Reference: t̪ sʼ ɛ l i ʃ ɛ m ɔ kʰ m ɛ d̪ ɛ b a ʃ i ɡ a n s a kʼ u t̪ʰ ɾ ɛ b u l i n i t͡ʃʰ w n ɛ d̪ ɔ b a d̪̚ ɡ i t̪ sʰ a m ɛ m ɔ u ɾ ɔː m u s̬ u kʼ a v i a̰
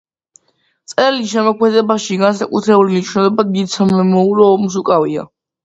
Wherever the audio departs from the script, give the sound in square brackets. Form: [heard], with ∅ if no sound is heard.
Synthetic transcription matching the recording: t̪ sʼ ɛ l i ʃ ɛ m ɔ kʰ m ɛ d̪ ɛ b a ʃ i ɡ a n s a kʼ u t̪ʰ ɾ ɛ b u l i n i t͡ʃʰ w n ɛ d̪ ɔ b a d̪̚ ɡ i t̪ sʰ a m ɛ m ɔ u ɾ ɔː m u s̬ u kʼ a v i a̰